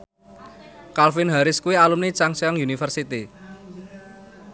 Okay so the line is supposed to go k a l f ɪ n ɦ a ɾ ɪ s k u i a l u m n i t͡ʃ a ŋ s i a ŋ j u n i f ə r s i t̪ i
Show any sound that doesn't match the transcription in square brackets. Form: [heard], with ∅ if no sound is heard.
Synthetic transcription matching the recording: k a l f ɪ n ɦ a ɾ ɪ s k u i a l u m n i t͡ʃ a ŋ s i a ŋ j u n i f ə r s i t̪ i